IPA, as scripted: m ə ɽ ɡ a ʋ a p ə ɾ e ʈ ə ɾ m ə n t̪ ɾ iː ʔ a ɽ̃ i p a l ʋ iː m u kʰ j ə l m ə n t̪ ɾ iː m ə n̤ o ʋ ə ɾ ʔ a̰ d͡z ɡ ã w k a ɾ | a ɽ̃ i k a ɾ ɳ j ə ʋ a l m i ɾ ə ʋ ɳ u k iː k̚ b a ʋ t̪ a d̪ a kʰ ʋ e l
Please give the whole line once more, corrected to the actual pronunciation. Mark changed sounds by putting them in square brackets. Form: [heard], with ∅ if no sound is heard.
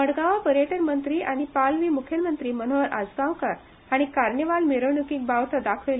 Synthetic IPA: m ə ɽ ɡ a ʋ a p ə ɾ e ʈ ə ɾ m ə n t̪ ɾ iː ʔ a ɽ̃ i p a l ʋ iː m u kʰ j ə l m ə n t̪ ɾ iː m ə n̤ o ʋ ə ɾ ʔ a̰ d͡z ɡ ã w k a ɾ | a ɽ̃ i k a ɾ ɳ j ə ʋ a l m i ɾ ə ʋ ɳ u k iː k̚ b a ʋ t̪ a d̪ a kʰ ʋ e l